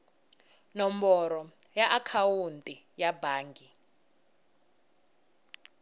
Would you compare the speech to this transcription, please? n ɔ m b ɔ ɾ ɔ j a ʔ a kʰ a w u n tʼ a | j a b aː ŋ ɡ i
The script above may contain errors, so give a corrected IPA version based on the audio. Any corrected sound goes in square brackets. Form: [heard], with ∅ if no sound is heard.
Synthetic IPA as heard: n ɔ m b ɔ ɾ ɔ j a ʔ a kʰ a w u n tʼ [i] | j a b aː ŋ ɡ i